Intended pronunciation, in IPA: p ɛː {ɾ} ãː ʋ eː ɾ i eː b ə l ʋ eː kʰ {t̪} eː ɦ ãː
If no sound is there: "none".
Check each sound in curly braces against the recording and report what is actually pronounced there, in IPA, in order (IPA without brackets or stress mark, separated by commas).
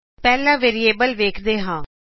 l, d̪